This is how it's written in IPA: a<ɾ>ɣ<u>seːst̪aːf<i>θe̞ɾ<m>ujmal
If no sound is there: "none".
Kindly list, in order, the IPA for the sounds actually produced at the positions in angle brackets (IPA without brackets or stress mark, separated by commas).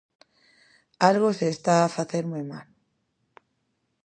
l, o, a, m